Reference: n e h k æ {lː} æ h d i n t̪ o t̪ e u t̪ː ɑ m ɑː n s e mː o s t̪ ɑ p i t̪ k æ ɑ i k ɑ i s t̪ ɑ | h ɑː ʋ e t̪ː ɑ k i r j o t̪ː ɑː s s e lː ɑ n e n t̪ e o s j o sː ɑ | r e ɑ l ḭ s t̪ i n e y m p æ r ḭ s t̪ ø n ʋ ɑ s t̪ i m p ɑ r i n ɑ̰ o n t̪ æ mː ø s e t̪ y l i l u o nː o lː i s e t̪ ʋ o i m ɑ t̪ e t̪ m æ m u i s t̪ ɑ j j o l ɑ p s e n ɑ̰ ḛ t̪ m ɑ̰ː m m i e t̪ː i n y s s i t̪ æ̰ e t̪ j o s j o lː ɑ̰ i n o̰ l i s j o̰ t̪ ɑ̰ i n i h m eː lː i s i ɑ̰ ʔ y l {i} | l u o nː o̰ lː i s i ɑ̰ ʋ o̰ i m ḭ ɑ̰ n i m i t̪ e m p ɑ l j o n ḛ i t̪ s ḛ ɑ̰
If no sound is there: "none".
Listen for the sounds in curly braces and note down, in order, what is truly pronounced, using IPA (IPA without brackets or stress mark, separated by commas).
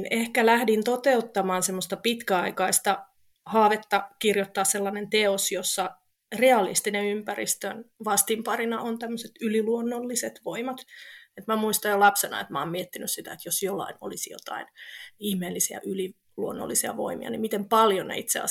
l, i